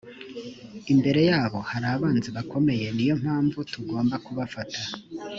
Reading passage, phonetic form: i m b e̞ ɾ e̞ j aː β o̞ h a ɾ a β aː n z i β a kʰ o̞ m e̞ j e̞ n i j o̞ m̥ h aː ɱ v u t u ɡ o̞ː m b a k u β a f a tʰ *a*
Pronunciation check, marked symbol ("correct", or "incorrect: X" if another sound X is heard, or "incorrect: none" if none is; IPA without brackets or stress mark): correct